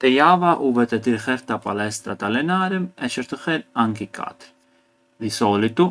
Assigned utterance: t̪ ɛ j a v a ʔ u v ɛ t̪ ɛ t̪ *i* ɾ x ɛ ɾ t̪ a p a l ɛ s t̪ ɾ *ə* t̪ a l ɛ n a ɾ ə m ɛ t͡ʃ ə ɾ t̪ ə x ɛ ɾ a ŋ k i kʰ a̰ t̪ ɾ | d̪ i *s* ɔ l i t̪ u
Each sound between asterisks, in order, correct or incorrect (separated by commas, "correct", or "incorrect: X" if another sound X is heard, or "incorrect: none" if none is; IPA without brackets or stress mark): correct, incorrect: a, correct